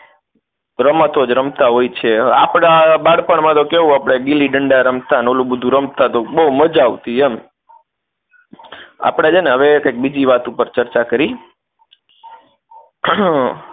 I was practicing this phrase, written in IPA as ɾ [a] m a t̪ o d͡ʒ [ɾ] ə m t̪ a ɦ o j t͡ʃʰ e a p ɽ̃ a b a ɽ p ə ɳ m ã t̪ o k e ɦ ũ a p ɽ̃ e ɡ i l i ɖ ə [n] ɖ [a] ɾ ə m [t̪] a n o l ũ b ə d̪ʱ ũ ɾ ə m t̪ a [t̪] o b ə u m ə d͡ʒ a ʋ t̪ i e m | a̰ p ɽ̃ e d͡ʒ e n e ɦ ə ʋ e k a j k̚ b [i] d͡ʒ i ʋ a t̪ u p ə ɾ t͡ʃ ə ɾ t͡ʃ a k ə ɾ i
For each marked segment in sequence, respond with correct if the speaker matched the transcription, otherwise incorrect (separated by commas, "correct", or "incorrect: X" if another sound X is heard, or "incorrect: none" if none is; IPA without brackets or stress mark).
incorrect: ə, correct, incorrect: ɳ, correct, correct, correct, correct